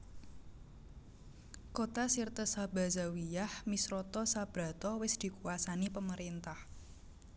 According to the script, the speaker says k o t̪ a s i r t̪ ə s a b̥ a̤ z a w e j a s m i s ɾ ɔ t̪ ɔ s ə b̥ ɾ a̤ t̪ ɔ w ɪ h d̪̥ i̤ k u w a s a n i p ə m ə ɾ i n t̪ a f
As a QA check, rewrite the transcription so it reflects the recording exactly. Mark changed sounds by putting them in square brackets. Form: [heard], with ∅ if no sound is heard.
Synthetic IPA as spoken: k o t̪ a s i r t̪ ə s a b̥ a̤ z a w [i] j a [h] m i s ɾ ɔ t̪ ɔ s [a] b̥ ɾ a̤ t̪ ɔ w ɪ [s] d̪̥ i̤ k u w a s a n i p ə m ə ɾ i n t̪ a [h]